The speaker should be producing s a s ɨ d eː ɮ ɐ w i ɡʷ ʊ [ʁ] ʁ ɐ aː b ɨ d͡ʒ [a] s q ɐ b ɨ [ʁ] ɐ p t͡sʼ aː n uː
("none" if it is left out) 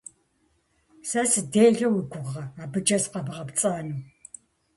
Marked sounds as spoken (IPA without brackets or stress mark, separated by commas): ʁ, ɐ, ʁ